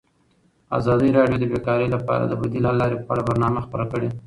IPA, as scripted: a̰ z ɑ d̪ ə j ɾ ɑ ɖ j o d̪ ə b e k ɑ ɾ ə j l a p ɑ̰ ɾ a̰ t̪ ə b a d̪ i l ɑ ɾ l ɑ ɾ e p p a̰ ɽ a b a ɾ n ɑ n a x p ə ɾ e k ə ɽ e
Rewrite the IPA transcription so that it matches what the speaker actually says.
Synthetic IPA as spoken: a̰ z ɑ d̪ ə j ɾ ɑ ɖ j o d̪ ə b e k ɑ ɾ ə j l a p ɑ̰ ɾ a̰ d̪ ə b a d̪ i l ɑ l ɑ ɾ e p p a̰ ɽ a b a ɾ n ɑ m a x p ə ɾ a k ə ɽ e